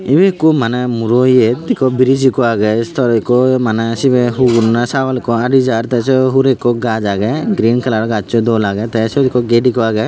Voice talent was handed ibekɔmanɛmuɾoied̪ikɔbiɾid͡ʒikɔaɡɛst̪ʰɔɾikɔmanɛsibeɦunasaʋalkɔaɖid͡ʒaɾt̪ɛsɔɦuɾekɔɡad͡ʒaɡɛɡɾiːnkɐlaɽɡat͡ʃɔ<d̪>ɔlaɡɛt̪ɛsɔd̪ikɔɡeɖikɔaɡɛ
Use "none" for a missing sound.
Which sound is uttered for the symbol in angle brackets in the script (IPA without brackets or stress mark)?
d̪